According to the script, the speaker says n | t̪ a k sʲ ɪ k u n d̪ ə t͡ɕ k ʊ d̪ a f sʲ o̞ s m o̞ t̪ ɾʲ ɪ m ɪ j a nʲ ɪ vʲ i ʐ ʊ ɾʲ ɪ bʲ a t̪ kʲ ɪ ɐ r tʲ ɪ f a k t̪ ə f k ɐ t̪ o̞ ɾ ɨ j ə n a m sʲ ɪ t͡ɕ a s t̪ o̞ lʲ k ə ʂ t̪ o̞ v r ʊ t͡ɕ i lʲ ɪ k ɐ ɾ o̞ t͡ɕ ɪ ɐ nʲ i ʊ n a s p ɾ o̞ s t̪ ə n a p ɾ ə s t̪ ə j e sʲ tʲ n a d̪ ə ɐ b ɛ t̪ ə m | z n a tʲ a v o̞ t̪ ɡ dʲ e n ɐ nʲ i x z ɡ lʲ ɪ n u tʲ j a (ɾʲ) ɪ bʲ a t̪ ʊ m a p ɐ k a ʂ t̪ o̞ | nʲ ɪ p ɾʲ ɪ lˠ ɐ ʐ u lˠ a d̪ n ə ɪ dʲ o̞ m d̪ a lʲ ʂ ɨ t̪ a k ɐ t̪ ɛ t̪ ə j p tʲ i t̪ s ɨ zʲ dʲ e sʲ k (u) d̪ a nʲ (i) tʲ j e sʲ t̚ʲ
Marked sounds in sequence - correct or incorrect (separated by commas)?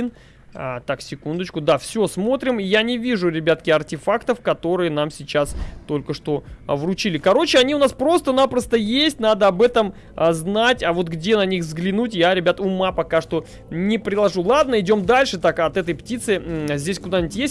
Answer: correct, incorrect, incorrect